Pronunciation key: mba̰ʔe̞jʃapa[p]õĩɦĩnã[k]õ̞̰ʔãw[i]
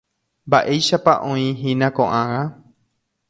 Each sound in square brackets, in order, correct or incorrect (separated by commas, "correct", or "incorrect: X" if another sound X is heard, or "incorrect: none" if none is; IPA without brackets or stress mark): incorrect: ʔ, correct, incorrect: a